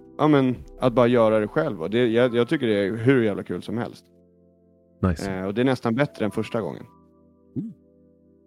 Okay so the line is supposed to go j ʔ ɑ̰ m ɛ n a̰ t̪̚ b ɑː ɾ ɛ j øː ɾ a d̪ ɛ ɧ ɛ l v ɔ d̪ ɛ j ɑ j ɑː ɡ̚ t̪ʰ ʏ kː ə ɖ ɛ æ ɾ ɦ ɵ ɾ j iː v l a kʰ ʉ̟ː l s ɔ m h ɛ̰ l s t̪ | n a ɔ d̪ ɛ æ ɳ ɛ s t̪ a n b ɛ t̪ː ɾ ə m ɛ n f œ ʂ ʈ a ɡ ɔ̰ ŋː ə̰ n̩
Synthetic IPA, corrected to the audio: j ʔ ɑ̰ m ɛ n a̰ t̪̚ b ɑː ɾ a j œː ɾ a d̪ ɛ ɧ ɛ l v ɔ d̪ ɛ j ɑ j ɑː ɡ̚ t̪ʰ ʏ kː ə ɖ ɛ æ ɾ ɦ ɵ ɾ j æː v l a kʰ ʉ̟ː l s ɔ m h ɛ̰ l s t̪ | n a ɔ d̪ ɛ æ ɳ ɛ s t̪ a n b ɛ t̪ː ɾ ə ɛ n f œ ʂ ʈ a ɡ ɔ̰ ŋː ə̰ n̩